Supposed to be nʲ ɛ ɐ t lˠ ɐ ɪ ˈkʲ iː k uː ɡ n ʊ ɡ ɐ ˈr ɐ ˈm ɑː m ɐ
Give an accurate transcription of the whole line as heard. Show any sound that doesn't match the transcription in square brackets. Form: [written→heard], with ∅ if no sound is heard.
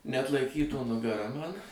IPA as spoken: nʲ ɛ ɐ t lˠ ɐ ɪ ˈkʲ iː [k→t] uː [ɡ→∅] n ʊ ɡ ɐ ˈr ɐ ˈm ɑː [m→n] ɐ